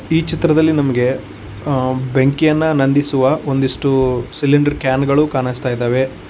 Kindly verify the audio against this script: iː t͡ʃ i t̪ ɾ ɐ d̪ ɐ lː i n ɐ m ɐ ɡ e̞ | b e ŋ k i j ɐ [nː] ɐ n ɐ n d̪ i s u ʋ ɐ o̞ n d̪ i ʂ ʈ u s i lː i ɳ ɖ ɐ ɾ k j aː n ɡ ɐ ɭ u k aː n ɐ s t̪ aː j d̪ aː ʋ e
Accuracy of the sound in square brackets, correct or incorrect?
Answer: correct